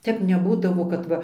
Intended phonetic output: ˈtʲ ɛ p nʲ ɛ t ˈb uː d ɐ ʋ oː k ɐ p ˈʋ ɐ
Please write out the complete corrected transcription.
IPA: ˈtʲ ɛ p nʲ ɛ ˈb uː d ɐ ʋ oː k ɐ t ˈʋ ɐ